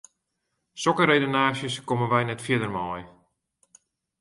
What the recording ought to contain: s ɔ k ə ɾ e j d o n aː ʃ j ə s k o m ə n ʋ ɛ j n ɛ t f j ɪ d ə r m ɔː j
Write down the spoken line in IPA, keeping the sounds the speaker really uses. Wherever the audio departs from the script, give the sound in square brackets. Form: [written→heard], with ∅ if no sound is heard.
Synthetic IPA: s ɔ k ə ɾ e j d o n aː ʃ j ə s k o m ə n ʋ ɛ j n ɛ t f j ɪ d ə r m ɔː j